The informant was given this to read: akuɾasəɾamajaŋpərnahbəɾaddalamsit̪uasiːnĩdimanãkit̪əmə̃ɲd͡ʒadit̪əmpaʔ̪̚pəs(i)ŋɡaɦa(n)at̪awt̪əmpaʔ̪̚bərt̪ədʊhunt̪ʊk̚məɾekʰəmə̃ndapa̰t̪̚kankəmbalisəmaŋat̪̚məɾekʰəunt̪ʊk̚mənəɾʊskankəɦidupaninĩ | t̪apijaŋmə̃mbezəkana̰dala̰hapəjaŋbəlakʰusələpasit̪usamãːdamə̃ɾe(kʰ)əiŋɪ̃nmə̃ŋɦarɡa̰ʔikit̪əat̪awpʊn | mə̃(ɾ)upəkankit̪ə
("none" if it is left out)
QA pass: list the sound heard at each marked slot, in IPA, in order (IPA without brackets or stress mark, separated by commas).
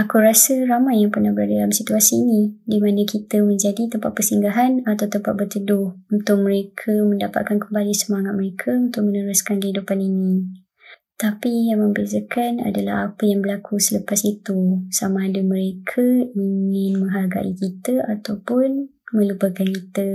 i, n, kʰ, l